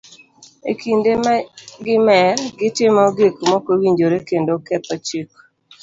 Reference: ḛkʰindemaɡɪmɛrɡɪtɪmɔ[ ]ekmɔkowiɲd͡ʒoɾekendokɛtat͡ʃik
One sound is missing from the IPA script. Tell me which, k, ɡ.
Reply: ɡ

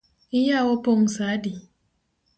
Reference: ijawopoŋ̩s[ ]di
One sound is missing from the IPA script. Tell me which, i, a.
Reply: a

